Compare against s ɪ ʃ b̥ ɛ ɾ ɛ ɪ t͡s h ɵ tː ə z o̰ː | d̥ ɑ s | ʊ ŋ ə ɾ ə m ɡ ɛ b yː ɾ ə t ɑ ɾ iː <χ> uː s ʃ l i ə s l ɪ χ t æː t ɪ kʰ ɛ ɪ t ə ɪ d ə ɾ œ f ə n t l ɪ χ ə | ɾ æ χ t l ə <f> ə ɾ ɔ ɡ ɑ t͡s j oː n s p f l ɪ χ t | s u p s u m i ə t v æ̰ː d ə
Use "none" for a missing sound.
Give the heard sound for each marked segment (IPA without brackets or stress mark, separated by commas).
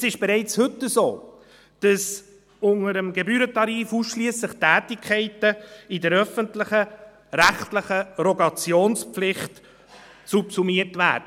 f, χ